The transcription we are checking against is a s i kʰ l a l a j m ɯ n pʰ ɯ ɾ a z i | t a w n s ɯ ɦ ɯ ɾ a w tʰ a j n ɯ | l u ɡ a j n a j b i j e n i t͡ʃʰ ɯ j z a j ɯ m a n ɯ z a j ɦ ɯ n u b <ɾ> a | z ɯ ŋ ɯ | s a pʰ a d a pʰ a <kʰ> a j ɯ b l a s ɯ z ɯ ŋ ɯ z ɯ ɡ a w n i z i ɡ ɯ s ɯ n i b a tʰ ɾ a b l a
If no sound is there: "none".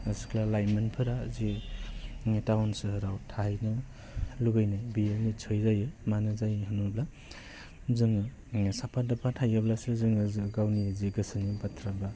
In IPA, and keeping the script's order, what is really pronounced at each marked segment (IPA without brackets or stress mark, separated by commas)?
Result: l, tʰ